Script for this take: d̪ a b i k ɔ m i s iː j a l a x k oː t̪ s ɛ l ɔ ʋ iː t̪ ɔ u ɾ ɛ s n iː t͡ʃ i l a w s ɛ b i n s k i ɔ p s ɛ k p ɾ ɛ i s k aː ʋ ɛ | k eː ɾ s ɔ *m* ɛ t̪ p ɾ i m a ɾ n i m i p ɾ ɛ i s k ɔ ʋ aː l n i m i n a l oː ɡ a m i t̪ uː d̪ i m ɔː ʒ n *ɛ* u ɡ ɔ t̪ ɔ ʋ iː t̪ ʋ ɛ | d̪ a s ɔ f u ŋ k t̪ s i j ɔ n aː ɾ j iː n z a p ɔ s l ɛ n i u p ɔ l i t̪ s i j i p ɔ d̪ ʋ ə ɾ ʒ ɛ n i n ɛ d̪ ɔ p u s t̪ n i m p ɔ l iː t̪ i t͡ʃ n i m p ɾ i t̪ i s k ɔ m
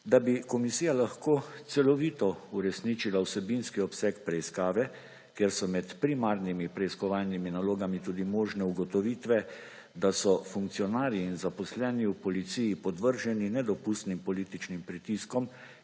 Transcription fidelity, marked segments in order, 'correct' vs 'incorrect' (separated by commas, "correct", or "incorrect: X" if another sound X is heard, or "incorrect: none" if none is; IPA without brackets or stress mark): correct, correct